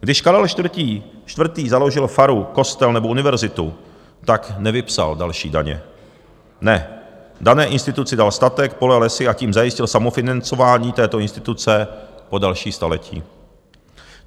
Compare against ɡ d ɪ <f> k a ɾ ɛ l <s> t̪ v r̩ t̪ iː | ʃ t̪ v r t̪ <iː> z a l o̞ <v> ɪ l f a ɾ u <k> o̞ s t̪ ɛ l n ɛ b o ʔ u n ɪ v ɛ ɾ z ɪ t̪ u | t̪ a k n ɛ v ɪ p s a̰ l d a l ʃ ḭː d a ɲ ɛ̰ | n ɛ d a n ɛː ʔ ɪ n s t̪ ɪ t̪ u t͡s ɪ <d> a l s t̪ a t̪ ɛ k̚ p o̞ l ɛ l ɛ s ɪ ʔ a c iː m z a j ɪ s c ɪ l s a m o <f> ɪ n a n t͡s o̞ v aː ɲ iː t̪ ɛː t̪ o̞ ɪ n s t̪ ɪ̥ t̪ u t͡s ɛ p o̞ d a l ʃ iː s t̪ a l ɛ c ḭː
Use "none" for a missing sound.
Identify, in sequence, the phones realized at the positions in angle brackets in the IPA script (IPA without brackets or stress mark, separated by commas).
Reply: ʃ, ʃ, iː, ʒ, k, d, f